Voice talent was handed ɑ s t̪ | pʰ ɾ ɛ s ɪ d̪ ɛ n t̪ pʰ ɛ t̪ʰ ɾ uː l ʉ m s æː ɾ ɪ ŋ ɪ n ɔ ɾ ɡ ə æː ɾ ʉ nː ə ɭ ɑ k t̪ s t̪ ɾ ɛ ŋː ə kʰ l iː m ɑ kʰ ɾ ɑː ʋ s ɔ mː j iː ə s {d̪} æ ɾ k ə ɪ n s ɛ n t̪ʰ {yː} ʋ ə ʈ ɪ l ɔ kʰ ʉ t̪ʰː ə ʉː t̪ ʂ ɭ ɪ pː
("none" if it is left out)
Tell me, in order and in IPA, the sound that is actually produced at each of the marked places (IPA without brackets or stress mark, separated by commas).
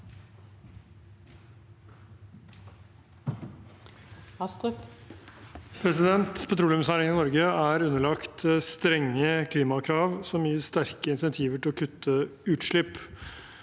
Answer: t̪, iː